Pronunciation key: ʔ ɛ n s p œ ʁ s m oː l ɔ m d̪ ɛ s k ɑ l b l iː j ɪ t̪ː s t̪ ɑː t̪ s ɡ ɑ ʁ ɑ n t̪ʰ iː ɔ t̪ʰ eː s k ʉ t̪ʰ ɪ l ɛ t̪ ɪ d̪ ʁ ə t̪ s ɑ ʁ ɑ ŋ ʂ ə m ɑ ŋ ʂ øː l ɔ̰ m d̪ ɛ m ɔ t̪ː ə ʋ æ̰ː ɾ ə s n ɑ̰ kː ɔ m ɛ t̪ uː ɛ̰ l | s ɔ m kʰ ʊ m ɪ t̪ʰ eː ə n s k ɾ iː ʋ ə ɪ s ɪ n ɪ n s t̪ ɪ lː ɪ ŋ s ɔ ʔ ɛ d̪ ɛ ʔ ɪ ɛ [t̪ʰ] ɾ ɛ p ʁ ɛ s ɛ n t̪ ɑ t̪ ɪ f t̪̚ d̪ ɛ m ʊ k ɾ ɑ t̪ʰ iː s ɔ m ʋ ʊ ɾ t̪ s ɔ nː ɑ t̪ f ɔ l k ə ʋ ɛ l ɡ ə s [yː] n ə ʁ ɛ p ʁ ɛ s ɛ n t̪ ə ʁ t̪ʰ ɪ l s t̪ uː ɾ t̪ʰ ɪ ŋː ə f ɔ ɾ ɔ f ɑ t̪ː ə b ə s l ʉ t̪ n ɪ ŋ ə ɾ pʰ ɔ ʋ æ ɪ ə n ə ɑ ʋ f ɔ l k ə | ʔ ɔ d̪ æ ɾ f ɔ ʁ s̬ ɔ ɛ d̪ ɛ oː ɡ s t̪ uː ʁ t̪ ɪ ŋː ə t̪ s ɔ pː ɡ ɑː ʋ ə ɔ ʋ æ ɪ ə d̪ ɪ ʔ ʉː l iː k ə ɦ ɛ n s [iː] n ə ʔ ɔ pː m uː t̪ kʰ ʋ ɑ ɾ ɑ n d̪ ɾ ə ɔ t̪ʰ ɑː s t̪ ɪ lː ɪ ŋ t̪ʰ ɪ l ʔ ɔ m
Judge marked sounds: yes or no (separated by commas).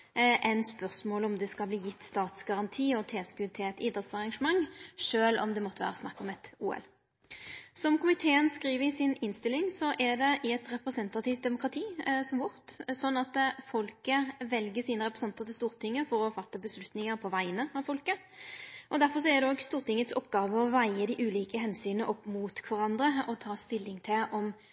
no, no, no